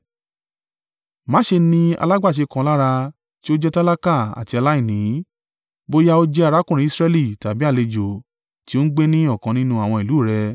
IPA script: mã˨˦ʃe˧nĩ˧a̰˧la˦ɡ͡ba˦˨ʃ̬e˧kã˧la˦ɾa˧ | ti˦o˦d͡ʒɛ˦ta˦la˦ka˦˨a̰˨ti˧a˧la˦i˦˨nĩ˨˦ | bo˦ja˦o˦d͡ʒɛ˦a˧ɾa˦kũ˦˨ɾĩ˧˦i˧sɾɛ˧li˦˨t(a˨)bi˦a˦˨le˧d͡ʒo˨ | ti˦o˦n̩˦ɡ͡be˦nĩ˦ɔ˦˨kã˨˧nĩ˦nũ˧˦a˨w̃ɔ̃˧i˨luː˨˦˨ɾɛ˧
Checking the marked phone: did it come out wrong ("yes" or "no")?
no